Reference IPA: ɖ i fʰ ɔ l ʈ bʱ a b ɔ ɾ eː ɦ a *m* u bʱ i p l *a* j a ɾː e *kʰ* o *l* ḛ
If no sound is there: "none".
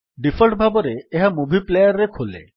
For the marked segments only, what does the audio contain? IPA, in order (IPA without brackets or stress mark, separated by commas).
m, e, kʰ, l